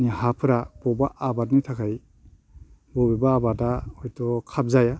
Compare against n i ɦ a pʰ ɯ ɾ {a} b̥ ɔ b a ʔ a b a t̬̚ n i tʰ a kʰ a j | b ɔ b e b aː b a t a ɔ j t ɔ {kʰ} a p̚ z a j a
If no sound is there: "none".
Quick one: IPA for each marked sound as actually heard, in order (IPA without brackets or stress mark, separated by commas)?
a, kʰ